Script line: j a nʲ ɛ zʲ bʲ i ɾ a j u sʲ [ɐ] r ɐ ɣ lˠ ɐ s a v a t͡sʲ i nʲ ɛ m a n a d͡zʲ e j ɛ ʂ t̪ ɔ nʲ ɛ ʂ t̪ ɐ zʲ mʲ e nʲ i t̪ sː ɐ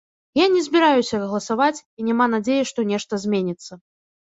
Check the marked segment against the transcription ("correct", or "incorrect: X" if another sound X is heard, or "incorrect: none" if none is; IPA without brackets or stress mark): correct